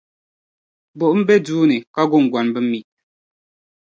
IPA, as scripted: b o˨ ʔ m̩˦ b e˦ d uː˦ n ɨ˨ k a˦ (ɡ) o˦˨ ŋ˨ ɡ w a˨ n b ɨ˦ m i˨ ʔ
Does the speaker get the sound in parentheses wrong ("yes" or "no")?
no